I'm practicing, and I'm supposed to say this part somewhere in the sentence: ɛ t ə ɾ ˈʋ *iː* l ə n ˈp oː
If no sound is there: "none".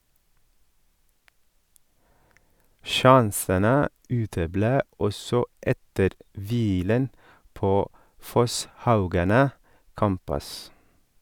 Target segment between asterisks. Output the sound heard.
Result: iː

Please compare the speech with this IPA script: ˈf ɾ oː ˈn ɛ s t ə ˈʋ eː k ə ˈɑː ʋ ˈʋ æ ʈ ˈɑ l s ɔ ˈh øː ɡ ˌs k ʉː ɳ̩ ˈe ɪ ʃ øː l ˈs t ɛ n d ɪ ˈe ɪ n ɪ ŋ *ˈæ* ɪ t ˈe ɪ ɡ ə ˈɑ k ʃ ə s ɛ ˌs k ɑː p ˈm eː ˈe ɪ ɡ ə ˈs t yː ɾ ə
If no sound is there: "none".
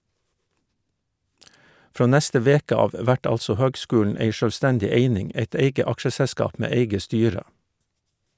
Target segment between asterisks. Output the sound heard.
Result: e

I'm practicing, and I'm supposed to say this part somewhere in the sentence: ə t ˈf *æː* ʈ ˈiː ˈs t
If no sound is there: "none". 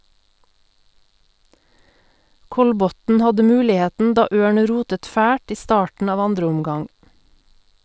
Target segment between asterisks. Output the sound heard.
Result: æː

